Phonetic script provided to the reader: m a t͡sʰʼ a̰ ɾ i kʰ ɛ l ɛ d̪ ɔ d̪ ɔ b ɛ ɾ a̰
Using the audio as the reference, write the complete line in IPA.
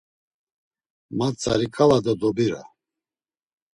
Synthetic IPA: m a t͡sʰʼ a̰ ɾ i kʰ a l a d̪ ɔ d̪ ɔ b i ɾ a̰